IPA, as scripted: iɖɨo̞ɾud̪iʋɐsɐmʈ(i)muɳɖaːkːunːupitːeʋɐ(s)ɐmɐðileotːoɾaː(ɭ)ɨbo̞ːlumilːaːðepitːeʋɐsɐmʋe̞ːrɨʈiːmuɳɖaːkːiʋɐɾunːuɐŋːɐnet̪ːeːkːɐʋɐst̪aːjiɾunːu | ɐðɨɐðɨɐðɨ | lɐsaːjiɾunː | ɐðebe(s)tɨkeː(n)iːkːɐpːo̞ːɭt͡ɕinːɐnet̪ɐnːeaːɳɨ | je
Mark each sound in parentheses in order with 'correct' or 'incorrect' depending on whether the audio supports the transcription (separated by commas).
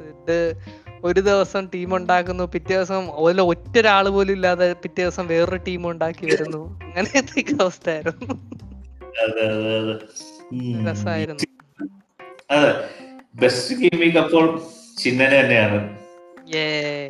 incorrect, correct, correct, correct, incorrect